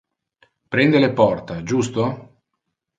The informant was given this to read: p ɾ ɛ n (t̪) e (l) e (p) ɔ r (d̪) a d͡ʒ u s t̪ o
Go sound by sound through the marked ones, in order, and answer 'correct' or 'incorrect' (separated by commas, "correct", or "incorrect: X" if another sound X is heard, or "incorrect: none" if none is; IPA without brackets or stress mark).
incorrect: d̪, correct, correct, incorrect: t̪